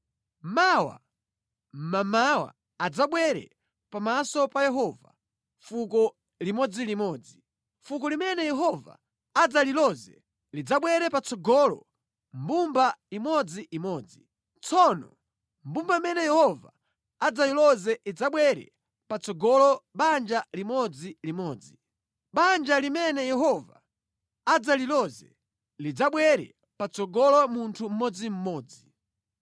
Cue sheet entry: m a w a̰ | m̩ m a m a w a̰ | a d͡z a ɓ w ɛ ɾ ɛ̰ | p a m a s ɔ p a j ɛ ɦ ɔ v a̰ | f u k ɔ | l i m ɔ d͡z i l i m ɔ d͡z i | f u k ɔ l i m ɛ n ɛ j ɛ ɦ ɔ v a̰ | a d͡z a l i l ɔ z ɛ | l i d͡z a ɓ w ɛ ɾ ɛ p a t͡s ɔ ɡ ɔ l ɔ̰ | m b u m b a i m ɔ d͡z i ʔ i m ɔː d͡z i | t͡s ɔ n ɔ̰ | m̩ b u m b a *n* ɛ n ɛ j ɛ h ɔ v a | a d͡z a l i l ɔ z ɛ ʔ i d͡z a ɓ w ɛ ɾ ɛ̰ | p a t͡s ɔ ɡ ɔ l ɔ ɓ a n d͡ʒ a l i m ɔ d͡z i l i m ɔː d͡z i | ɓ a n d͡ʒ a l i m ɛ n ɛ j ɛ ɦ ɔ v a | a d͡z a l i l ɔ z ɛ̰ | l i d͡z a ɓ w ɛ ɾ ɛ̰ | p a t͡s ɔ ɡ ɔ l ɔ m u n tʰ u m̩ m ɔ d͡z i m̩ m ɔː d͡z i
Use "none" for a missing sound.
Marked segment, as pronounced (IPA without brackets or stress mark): m